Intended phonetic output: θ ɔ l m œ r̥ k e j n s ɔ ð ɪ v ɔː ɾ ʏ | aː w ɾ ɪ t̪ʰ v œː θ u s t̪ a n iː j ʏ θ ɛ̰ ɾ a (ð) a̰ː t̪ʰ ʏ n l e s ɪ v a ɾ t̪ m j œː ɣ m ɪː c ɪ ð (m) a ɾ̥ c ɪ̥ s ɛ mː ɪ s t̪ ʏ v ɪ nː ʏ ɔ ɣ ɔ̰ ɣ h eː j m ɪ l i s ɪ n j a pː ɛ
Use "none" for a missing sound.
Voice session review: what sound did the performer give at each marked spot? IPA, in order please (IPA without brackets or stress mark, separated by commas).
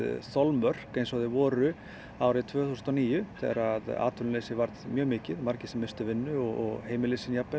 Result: ð, m